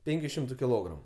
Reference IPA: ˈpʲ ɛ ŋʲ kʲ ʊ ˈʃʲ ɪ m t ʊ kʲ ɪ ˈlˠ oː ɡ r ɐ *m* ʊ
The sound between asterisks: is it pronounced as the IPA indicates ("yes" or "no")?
yes